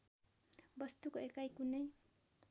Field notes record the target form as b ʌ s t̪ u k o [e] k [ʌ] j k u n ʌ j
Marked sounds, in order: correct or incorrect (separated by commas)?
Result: correct, incorrect